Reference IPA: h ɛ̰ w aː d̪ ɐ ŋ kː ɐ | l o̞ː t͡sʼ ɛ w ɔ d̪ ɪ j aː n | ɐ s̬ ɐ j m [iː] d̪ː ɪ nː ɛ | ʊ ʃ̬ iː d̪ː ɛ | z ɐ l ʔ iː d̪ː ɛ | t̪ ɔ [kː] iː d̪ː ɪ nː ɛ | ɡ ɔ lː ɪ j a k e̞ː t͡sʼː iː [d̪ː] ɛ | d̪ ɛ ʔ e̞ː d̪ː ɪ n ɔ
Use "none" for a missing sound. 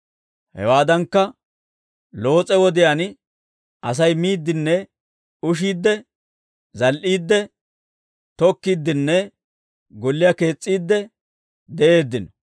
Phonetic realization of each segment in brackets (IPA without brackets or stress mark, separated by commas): iː, kː, d̪ː